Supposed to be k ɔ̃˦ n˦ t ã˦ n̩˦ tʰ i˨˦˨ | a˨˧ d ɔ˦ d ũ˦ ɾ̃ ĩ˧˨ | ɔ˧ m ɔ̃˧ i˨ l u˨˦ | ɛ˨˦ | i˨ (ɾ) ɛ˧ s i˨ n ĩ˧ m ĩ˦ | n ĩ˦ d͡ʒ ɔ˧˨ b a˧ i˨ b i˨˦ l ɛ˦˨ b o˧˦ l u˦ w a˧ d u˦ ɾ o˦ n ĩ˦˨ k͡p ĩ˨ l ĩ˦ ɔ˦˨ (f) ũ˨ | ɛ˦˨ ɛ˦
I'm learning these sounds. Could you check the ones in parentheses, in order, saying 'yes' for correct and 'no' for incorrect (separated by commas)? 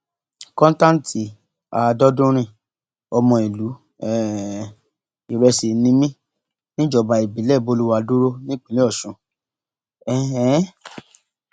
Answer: yes, no